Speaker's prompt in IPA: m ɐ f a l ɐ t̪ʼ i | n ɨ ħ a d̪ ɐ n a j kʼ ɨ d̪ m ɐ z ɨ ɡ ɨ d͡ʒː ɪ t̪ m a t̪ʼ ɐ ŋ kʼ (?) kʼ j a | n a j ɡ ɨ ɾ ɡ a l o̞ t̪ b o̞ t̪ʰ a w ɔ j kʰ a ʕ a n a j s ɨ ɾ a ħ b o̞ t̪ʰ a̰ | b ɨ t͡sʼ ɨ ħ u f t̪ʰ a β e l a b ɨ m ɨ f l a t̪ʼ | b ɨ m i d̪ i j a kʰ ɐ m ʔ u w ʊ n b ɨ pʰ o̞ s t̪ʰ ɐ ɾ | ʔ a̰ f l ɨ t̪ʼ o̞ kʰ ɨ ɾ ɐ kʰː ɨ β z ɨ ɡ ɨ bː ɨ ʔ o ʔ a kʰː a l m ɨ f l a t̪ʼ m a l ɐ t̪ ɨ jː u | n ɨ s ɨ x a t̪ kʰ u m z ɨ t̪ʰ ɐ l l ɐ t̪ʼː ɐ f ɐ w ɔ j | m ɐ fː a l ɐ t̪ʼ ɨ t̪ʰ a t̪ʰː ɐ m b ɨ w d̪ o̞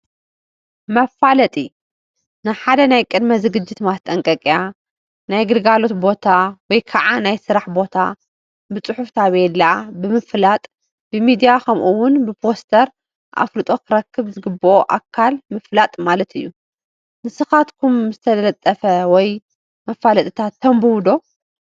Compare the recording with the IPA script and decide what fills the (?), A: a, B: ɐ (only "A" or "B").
B